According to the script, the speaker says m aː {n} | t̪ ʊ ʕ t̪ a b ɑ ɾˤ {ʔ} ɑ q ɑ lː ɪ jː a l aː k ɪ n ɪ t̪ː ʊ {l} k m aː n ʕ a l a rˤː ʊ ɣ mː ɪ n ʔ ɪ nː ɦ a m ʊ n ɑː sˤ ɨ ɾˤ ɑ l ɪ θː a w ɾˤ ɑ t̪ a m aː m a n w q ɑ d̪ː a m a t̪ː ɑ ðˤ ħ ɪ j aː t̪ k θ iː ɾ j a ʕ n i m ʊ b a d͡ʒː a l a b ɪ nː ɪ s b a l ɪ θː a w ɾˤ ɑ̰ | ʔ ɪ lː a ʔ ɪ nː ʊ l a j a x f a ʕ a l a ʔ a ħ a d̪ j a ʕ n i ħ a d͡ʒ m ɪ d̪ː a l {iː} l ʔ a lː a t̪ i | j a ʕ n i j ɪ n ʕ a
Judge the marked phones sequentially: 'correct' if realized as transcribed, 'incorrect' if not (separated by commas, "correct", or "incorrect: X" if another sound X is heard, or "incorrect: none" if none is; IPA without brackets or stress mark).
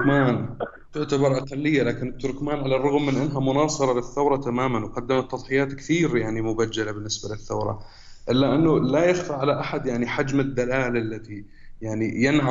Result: correct, correct, incorrect: ɾ, incorrect: aː